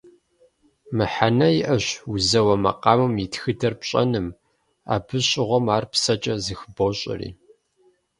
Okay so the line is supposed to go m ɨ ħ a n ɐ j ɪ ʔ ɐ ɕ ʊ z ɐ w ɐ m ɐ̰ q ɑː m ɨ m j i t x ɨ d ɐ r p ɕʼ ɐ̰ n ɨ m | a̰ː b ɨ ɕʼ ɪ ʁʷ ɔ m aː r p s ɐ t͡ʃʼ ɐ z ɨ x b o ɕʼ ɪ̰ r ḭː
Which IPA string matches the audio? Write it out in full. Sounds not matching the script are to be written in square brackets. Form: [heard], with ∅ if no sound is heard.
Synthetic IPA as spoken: m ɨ ħ a n ɐ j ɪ ʔ ɐ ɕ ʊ z ɐ w ɐ m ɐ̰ q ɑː m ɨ m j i t x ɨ d ɐ r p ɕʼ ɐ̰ n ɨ m | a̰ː b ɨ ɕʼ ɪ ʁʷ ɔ m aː r p s ɐ t͡ʃʼ ɐ z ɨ x b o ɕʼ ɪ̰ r ḭː